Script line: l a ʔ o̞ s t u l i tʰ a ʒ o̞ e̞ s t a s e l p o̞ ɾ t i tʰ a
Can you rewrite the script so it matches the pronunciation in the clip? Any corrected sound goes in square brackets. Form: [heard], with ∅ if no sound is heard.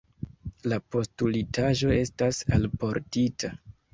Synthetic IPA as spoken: l a [p] o̞ s t u l i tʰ a ʒ o̞ e̞ s t a s [a] l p o̞ ɾ t i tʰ a